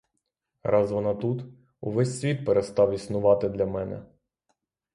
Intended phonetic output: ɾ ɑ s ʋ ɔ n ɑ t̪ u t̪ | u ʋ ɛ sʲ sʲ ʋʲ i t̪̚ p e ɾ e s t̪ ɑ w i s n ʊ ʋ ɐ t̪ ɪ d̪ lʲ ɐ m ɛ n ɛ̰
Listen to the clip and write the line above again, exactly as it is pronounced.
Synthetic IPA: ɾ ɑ z ʋ ɔ n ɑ t̪ u t̪ | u ʋ ɛ sʲ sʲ ʋʲ i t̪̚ p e ɾ e s t̪ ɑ w i s n ʊ ʋ ɑ t̪ ɪ d̪ lʲ ɐ m ɛ n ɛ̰